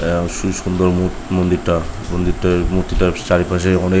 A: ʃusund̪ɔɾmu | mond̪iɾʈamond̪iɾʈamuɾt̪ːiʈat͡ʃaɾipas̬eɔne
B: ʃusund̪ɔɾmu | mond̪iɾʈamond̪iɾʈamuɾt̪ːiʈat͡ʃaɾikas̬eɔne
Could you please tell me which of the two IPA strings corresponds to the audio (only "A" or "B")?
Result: A